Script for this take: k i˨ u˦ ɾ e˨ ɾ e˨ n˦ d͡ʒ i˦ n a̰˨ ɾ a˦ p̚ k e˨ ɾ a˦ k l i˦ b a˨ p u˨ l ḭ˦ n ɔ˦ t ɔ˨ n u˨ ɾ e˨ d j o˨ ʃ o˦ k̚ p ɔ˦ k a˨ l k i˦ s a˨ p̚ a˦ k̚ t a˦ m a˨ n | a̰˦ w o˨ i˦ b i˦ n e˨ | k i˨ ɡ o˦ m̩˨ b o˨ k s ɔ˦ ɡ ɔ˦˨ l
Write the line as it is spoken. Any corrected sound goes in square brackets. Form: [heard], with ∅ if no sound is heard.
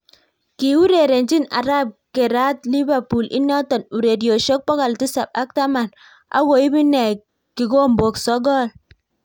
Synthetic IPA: k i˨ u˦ ɾ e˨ ɾ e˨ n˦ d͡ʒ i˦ n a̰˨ ɾ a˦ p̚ k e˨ ɾ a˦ [t] l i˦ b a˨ p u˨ l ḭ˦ n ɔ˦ t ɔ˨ n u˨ ɾ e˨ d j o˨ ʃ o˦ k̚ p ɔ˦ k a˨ l [t] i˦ s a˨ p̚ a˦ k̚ t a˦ m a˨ n | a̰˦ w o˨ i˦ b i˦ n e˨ | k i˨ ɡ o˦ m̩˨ b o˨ k s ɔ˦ ɡ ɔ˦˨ l

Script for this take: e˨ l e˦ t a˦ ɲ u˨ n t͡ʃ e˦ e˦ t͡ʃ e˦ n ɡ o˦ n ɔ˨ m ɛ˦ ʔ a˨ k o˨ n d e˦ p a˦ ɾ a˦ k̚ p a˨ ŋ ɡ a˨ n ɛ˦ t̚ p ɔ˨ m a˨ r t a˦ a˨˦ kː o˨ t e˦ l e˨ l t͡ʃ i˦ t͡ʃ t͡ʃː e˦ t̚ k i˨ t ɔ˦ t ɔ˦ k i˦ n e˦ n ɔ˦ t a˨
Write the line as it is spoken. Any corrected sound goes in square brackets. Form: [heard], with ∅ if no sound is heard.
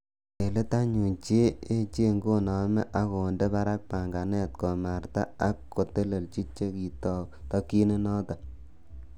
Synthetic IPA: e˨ l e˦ t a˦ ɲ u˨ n t͡ʃ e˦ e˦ t͡ʃ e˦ [ŋ] ɡ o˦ n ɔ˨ m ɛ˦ ʔ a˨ k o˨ n d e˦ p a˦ ɾ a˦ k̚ p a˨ ŋ ɡ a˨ n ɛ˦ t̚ [k] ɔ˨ m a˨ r t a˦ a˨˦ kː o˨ t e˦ l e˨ l t͡ʃ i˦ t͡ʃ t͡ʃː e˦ [∅] k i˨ t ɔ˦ t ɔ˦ k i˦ n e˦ n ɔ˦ t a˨

